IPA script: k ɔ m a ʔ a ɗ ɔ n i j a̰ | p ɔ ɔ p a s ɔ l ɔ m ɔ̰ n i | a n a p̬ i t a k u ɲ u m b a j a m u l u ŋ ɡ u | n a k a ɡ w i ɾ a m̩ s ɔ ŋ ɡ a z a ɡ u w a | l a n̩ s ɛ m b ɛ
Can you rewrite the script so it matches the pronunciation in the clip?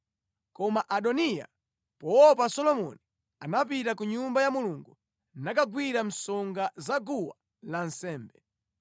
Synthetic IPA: k ɔ m a ʔ a ɗ ɔ n i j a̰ | p ɔ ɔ p a s ɔ l ɔ m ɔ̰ n i | a n a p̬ i t a k u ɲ u m b a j a m u l u ŋ ɡ u | n a k a ɡ w i ɾ a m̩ s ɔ ŋ ɡ a z a ɡ u w a | l a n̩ s ɛː m b ɛ